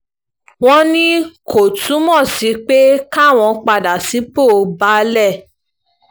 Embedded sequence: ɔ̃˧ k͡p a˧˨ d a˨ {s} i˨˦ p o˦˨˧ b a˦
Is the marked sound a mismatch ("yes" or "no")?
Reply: no